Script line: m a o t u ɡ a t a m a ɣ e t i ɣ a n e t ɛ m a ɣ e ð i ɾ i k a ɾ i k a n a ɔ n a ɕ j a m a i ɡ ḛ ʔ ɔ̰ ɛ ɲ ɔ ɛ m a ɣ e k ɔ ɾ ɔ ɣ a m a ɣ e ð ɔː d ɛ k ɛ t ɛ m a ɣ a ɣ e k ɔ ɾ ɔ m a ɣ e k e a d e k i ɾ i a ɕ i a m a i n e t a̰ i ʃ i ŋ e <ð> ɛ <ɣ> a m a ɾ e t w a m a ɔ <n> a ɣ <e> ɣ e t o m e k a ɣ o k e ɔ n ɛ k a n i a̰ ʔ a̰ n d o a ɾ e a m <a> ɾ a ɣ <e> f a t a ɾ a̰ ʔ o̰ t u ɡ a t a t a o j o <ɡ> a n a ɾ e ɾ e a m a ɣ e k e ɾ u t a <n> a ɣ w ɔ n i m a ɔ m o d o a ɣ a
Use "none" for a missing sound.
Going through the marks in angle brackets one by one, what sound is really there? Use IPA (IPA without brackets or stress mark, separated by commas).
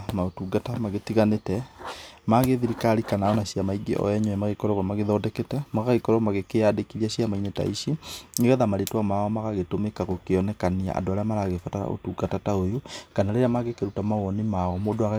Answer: ɣ, ð, m, a, a, e, k, m